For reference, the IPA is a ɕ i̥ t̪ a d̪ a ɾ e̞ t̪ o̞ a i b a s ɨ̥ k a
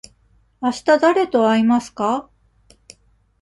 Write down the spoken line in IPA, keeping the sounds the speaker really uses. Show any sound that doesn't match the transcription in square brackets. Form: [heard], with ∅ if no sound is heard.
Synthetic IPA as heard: a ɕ i̥ t̪ a d̪ a ɾ e̞ t̪ o̞ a i [m] a s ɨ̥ k a